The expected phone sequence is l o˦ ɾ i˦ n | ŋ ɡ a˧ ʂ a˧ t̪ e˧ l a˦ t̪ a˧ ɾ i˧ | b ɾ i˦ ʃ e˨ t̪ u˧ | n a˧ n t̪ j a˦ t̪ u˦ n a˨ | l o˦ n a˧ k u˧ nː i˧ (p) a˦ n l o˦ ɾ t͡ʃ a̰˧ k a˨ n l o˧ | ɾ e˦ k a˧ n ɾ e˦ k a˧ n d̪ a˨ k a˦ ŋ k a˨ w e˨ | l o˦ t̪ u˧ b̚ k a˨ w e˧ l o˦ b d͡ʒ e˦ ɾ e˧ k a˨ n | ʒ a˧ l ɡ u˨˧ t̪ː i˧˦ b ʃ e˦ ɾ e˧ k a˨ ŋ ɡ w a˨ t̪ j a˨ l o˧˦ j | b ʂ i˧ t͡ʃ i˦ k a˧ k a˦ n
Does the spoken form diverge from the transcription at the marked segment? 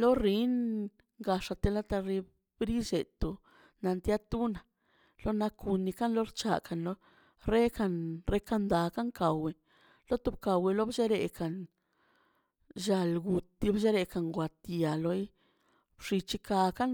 yes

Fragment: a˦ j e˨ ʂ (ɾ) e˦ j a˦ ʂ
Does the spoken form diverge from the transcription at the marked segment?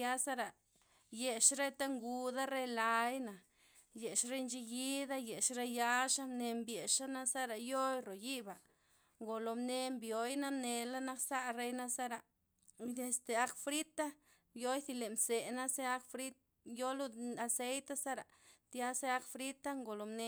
no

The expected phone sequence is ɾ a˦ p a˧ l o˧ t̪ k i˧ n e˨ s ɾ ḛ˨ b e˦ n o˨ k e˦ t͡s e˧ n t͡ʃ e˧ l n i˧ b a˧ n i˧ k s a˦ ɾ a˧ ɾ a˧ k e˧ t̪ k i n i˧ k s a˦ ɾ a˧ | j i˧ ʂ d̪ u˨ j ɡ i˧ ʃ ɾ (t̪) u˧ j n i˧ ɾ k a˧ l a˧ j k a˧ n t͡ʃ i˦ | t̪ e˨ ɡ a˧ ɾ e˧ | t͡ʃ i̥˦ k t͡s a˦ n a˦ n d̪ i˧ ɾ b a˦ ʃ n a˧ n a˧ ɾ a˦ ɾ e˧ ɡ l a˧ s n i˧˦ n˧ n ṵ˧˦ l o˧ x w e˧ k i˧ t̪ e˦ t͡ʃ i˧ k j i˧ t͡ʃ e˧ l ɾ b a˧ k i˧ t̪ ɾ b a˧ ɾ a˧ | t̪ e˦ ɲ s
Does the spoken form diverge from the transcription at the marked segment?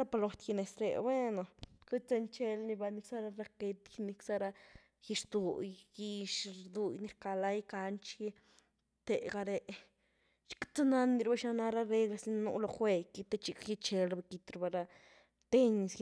yes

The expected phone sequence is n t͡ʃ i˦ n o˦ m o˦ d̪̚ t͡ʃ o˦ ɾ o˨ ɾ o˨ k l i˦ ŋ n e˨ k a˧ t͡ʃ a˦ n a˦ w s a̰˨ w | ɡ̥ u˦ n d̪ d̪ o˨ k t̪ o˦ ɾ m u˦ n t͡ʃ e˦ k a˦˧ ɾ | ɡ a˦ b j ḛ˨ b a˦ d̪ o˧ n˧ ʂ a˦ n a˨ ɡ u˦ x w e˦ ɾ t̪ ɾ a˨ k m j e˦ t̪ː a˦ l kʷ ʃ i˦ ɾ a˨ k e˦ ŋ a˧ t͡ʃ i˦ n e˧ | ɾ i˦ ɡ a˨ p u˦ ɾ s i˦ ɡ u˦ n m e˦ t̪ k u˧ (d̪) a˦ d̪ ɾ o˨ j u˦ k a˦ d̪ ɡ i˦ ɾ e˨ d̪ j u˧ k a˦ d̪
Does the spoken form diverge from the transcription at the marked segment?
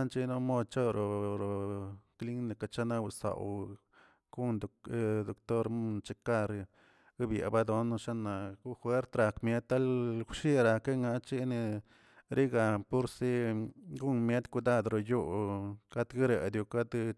no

